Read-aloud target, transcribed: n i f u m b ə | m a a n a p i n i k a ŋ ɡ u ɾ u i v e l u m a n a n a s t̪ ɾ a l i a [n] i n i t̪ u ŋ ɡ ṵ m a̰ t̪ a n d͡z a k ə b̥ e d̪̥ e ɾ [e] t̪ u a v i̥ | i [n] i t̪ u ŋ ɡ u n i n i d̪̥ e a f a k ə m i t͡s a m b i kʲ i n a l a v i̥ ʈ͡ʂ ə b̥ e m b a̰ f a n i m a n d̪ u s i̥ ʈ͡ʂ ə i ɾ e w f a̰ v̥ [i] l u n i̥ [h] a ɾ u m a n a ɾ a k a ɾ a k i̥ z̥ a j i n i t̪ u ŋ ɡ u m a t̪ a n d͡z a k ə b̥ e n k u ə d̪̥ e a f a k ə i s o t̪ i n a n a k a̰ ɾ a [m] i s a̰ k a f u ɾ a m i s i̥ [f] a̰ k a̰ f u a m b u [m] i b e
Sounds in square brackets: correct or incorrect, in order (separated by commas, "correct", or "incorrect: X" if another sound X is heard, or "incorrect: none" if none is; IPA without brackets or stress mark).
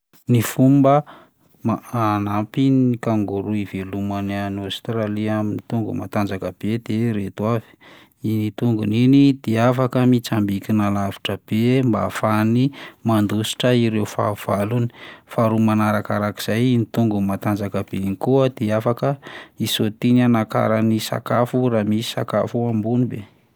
incorrect: m, correct, correct, incorrect: a, incorrect: f, incorrect: n, incorrect: s, incorrect: n